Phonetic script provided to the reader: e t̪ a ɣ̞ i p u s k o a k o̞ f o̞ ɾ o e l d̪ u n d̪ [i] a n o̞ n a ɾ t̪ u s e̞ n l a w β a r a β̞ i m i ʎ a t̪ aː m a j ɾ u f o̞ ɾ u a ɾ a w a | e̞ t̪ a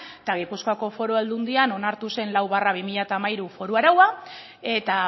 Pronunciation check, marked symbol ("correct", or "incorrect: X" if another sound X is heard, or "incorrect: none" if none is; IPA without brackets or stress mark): correct